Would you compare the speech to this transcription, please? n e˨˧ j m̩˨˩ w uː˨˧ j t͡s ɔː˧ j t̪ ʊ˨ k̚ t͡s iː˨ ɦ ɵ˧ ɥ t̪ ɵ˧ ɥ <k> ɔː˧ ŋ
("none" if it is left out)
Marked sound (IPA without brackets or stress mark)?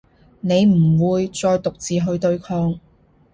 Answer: kʰ